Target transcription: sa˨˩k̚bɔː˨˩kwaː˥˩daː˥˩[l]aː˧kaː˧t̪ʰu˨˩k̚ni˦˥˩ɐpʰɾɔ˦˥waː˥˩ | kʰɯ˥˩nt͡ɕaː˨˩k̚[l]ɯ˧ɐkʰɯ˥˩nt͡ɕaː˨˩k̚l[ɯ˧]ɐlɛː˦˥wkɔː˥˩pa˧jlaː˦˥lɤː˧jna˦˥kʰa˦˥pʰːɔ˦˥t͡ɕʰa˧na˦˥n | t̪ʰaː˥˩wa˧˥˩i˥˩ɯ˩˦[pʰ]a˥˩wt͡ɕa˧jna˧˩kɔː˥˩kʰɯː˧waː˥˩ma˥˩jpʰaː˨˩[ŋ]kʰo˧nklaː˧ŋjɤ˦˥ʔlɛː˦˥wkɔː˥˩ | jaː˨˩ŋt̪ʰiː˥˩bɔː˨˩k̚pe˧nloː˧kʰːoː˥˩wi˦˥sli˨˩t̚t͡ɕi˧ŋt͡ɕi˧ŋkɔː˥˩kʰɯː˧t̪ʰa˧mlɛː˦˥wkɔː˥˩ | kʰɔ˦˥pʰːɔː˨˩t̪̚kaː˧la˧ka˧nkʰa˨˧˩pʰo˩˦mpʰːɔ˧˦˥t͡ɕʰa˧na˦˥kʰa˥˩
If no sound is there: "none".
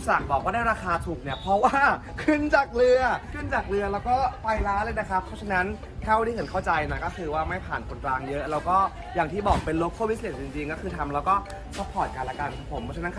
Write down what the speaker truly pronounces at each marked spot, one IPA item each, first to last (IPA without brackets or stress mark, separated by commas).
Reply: ɾ, l, ɯ˧, kʰ, n